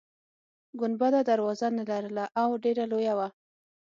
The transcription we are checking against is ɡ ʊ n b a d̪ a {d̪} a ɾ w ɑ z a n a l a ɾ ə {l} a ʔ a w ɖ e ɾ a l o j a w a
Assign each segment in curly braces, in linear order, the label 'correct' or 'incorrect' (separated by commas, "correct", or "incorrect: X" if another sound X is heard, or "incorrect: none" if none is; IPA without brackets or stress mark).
correct, correct